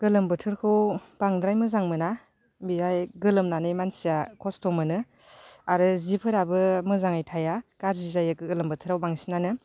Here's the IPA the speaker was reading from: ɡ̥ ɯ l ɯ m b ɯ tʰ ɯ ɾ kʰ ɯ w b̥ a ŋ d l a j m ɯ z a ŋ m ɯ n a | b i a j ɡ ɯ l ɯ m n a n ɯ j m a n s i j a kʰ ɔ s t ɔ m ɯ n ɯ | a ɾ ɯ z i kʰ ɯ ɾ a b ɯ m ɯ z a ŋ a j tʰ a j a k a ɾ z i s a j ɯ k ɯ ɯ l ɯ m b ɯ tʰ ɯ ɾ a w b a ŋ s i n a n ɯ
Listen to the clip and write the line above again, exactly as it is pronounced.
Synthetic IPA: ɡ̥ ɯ l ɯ m b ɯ tʰ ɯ ɾ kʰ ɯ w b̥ a ŋ d ɾ a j m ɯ z a ŋ m ɯ n a | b i a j ɡ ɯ l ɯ m n a n ɯ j m a n s i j a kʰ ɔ s t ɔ m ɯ n ɯ | a ɾ ɯ z i pʰ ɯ ɾ a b ɯ m ɯ z a ŋ a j tʰ a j a k a ɾ z i z a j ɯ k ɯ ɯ l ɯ m b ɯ tʰ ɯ ɾ a w b a ŋ s i n a n ɯ